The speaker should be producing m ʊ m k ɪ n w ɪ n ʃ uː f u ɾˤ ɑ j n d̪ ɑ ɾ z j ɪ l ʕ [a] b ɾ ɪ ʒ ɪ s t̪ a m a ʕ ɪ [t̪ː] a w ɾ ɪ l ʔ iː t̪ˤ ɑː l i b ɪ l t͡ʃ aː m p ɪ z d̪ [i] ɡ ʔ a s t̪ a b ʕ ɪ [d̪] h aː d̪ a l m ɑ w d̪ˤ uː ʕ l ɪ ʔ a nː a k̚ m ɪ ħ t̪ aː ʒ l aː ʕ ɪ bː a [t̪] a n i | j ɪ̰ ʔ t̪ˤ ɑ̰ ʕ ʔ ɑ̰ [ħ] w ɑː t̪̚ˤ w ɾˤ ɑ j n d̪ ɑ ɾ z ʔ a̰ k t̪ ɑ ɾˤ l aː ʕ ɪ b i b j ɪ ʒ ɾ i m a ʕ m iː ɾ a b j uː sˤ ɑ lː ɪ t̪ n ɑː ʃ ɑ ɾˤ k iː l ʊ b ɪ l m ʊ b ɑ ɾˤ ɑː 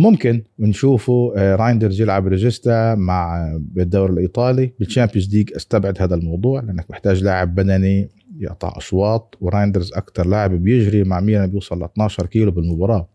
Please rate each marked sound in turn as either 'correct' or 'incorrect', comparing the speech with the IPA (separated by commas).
correct, incorrect, incorrect, correct, incorrect, incorrect